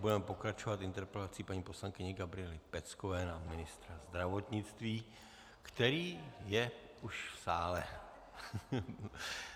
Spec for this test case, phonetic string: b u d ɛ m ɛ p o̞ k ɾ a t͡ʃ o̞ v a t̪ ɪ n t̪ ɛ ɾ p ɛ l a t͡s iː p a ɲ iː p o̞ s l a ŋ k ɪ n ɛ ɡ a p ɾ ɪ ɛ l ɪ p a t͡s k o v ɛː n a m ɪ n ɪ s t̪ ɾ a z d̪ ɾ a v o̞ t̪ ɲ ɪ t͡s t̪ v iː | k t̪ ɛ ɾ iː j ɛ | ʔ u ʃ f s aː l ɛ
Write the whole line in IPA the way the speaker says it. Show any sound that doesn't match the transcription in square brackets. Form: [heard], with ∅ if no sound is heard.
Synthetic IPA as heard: b u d ɛ m ɛ p o̞ k ɾ a t͡ʃ o̞ v a t̪ ɪ n t̪ ɛ ɾ p ɛ l a t͡s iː p a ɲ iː p o̞ s l a ŋ k ɪ [ɲ] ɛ ɡ a [b] ɾ ɪ ɛ l ɪ p [ɛ] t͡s k o v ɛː n a m ɪ n ɪ s t̪ ɾ a z d̪ ɾ a v o̞ t̪ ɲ ɪ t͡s t̪ v iː | k t̪ ɛ ɾ iː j ɛ | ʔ u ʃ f s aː l ɛ